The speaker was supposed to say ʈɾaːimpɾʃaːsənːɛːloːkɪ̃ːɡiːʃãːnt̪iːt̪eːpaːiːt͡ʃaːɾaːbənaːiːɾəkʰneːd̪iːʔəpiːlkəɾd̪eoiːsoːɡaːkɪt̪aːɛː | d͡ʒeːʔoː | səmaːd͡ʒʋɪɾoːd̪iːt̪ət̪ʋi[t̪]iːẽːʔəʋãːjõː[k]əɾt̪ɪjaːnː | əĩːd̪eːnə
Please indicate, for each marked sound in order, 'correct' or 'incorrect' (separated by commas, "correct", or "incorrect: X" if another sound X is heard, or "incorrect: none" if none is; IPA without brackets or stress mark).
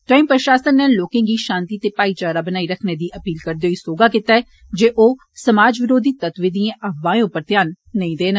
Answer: incorrect: d̪, incorrect: p